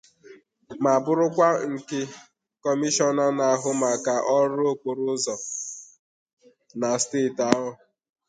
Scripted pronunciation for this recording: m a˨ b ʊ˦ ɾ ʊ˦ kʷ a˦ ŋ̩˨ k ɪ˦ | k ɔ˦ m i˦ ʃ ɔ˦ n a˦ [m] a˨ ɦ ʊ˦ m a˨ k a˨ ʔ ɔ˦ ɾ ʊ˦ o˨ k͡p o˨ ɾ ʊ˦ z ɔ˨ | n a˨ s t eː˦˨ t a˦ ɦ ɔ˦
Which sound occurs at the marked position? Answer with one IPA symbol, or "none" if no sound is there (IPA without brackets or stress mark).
n